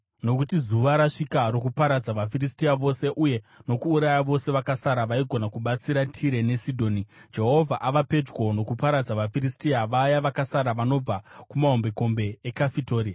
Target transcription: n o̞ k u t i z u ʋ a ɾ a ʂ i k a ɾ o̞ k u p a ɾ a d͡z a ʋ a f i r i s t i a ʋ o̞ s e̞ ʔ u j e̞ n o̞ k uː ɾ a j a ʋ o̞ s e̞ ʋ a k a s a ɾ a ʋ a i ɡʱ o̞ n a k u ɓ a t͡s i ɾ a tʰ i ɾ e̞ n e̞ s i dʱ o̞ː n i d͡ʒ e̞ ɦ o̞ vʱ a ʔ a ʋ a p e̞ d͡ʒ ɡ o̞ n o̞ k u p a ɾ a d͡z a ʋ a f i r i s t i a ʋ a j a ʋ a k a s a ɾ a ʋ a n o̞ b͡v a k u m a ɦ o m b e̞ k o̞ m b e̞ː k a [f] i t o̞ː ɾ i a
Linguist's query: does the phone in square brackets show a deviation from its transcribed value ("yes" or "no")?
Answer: no